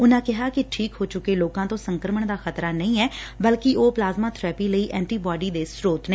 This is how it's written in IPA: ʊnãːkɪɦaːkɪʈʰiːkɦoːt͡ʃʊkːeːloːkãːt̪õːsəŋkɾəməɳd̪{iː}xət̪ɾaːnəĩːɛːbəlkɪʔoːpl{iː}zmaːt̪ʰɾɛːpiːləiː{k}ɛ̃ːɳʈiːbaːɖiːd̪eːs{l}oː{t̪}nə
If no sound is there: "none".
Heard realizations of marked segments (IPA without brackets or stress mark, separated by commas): aː, aː, ʔ, ɾ, t̪